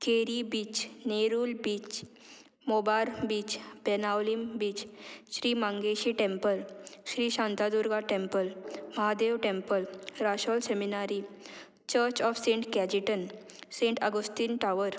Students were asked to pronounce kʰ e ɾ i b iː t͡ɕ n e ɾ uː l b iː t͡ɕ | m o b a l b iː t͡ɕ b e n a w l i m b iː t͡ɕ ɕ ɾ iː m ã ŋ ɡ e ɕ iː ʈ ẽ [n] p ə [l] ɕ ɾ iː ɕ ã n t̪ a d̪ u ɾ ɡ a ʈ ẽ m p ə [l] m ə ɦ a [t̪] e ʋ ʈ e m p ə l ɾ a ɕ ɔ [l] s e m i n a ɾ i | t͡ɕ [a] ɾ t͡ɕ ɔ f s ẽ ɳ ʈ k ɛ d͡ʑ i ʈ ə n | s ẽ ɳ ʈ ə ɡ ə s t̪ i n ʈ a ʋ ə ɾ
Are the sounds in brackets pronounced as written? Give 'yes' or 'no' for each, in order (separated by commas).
no, yes, yes, no, yes, no